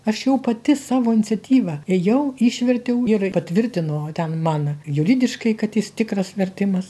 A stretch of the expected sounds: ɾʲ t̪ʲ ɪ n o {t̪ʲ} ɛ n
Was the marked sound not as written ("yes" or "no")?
no